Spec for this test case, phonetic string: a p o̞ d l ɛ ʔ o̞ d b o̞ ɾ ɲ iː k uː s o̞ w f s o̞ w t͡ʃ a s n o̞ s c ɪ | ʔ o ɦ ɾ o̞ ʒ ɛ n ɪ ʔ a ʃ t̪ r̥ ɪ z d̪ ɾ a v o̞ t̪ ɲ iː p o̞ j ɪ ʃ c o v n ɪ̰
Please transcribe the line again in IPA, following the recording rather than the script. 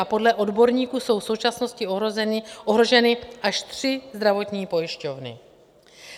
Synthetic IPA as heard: a p o̞ d l ɛ ʔ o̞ d b o̞ ɾ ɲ iː k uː s o̞ w f s o̞ w t͡ʃ a s n o̞ s c ɪ | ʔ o ɦ ɾ o̞ ʒ ɛ n ɪ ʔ a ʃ t̪ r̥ ɪ z d̪ ɾ a v o̞ t̪ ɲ iː p o̞ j ɪ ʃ c o v n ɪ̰

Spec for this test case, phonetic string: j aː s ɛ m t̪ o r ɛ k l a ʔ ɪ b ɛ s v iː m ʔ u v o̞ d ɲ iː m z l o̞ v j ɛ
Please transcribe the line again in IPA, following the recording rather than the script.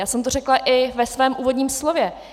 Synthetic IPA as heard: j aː s ɛ m t̪ o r ɛ k l a ʔ ɪ v ɛ s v ɛː m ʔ uː v o̞ d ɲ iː m s l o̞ v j ɛ

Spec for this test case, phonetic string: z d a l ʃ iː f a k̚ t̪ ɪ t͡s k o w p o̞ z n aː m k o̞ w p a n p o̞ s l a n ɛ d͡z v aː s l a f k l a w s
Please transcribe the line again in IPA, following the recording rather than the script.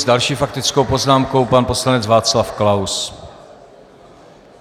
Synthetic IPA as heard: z d a l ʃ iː f a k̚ t̪ ɪ t͡s k o w p o̞ z n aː m k o̞ w p a n p o̞ s l a n ɛ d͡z v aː t͡s l a f k l a w s

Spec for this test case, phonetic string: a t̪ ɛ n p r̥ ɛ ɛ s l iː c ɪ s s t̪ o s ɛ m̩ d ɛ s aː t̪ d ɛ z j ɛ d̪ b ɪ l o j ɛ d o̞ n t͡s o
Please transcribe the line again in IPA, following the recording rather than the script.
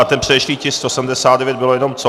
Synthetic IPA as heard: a t̪ ɛ n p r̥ ɛ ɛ ʃ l iː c ɪ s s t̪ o s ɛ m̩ d ɛ s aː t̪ d ɛ v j ɛ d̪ b ɪ l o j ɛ n o̞ m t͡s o

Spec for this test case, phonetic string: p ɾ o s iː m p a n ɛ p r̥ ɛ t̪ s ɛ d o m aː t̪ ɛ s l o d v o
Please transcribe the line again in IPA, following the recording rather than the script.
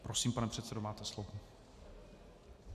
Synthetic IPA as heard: p ɾ o s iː m p a n ɛ p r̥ ɛ t̪ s ɛ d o m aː t̪ ɛ s l o v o

